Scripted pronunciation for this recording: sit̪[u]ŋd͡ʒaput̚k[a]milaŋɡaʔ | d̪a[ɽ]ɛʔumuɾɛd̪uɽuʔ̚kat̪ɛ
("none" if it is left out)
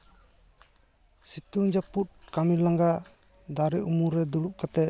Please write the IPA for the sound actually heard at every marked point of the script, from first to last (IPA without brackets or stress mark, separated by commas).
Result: u, a, ɾ